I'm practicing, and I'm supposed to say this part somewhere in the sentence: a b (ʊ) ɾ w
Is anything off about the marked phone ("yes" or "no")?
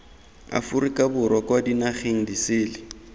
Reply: no